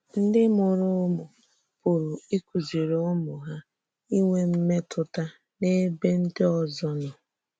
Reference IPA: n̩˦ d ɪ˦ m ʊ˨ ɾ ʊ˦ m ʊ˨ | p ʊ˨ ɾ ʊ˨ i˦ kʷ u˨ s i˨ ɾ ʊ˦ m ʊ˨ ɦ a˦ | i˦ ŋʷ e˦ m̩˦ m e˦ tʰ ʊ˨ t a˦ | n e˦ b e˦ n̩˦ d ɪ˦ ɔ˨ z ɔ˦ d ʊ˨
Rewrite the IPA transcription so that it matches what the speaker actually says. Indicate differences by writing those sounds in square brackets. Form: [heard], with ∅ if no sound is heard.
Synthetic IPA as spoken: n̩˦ d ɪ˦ m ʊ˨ ɾ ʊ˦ m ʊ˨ | p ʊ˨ ɾ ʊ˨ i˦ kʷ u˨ [z] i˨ ɾ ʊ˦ m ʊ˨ ɦ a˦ | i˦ ŋʷ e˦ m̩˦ m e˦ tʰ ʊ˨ t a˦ | n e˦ b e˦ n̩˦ d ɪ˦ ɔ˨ z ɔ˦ [n] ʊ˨